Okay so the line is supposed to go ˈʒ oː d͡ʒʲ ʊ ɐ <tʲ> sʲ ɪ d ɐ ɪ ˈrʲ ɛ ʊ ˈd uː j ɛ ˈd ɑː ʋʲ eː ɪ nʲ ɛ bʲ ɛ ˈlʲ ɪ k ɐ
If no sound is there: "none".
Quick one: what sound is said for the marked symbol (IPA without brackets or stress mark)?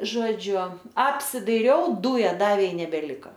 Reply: pʲ